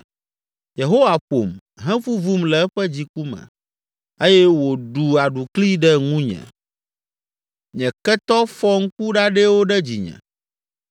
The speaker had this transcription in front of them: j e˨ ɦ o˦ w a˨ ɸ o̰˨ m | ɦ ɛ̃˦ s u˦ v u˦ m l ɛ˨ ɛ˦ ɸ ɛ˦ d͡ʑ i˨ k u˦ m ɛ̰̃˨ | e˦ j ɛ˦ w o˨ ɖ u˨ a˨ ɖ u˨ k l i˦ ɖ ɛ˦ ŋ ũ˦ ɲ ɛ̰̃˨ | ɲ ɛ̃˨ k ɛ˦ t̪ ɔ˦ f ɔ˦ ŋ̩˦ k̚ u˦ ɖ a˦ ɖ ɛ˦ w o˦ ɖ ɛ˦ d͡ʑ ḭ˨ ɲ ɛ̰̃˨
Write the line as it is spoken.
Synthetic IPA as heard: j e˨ ɦ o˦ w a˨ ɸ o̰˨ m | ɦ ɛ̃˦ f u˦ v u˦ m l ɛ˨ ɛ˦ ɸ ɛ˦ d͡ʑ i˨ k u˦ m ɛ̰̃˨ | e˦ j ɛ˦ w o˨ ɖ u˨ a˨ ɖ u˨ k l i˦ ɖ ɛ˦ ŋ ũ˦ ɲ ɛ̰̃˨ | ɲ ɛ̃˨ k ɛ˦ t̪ ɔ˦ f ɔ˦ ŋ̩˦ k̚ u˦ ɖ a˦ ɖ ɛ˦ w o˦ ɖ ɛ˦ d͡ʑ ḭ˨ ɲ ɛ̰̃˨